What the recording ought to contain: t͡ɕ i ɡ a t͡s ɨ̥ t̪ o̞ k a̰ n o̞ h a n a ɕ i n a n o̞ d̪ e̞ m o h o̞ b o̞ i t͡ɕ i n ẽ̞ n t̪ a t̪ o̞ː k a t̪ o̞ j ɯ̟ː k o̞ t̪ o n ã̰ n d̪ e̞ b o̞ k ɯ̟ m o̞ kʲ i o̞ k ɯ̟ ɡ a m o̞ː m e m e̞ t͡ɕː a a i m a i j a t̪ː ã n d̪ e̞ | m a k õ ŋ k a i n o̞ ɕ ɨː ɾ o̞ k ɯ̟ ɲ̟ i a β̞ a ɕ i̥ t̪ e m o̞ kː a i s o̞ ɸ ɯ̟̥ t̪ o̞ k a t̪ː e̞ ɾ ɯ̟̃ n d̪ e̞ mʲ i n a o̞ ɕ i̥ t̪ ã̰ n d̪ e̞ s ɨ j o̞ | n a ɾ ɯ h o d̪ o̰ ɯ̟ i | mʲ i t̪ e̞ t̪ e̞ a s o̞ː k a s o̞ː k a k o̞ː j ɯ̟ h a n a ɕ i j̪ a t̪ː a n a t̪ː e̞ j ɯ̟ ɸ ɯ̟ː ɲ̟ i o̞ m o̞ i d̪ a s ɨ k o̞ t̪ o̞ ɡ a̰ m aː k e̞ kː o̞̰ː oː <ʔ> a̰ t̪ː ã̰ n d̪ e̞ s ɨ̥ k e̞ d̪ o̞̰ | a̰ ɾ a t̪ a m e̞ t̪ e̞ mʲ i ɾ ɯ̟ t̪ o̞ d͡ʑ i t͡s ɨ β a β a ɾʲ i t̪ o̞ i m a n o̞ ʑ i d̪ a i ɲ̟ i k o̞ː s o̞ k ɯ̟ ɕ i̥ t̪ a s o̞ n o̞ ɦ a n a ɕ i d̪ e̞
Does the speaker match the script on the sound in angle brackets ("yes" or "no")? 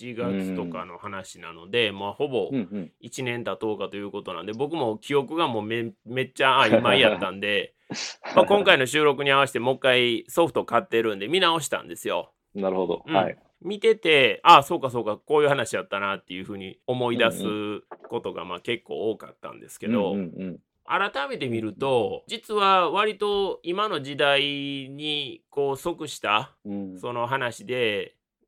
no